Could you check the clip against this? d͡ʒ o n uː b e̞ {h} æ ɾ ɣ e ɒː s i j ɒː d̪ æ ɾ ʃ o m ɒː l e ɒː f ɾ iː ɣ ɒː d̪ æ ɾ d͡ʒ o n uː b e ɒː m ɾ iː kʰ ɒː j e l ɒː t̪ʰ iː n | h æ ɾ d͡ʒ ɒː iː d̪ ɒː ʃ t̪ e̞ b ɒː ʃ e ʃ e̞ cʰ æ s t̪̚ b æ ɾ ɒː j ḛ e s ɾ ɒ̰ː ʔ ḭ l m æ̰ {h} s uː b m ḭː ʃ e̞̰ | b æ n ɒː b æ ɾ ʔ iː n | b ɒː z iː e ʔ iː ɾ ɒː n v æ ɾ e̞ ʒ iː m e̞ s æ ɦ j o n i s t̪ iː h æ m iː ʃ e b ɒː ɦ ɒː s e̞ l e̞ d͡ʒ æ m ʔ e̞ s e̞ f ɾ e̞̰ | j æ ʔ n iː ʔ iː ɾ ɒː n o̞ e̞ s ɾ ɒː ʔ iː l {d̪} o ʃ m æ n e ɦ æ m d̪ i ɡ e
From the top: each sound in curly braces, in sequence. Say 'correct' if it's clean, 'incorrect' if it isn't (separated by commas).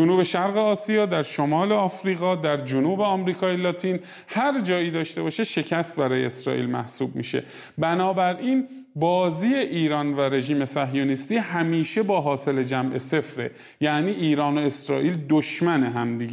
incorrect, correct, correct